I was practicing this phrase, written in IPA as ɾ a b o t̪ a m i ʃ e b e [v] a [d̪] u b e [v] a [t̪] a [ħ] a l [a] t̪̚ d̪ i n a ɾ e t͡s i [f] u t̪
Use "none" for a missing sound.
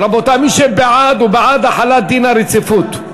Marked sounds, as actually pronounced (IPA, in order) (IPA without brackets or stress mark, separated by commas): ʕ, d̪, ʕ, d̪, ħ, a, f